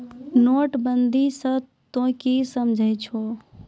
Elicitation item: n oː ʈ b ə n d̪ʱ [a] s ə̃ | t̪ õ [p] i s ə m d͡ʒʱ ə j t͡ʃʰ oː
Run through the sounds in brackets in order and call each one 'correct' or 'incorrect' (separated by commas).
incorrect, incorrect